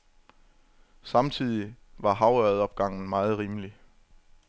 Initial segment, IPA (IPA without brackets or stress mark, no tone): s